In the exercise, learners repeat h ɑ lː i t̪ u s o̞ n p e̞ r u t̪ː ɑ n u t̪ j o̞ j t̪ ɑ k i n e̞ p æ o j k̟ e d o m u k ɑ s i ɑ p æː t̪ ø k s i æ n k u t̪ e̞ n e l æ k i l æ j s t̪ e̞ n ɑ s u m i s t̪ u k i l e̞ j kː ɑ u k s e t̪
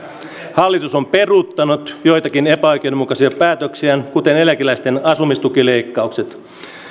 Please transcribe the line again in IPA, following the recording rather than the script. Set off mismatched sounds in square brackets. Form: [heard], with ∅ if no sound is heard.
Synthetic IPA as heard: h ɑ lː i t̪ u s o̞ [m] p e̞ r u t̪ː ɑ n u t̪ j o̞ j t̪ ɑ k i n e̞ p æ o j k̟ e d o m u k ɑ s i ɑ p æː t̪ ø k s i æ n k u t̪ e̞ n e l æ k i l æ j s t̪ e̞ n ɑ s u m i s t̪ u k i l e̞ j kː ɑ u k s e t̪